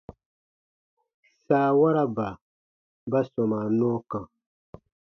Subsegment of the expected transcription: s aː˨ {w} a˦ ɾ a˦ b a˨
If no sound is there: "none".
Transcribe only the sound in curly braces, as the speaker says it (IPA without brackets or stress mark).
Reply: w